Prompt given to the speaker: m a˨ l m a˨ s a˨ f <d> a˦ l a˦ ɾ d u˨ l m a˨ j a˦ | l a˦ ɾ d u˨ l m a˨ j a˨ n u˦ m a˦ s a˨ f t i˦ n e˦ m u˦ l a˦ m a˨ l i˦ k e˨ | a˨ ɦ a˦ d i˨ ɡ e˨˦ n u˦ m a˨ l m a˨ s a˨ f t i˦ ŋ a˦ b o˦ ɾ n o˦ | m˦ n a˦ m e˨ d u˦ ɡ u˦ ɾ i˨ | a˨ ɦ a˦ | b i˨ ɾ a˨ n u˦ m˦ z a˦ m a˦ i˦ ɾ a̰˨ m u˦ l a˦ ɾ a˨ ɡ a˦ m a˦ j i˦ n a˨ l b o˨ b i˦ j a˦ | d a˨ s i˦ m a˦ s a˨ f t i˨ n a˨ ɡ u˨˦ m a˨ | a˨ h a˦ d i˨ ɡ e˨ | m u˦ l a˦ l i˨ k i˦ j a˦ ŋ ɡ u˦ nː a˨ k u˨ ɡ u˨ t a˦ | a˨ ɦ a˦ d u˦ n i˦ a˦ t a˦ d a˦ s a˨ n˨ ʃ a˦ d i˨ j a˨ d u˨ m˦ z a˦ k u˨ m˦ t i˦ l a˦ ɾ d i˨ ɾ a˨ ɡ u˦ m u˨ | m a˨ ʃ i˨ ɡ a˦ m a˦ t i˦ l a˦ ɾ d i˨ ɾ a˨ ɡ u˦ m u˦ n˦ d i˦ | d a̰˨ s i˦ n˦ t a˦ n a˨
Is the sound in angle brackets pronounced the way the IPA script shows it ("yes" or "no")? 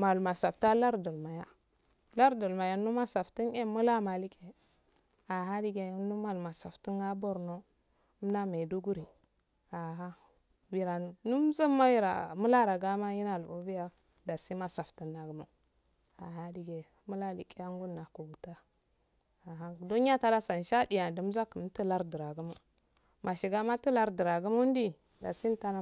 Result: no